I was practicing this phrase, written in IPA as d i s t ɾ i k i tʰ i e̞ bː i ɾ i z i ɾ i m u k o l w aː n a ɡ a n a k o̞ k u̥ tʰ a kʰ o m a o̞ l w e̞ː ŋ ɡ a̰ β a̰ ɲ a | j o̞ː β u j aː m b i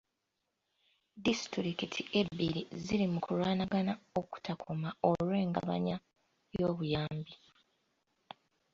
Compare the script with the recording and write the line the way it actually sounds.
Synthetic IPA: d i s t ɾ i k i tʰ i e̞ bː i ɾ i z i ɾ i m u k u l w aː n a ɡ a n a o̞ k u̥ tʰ a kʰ o m a o̞ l w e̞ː ŋ ɡ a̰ β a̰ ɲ a | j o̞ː β u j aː m b i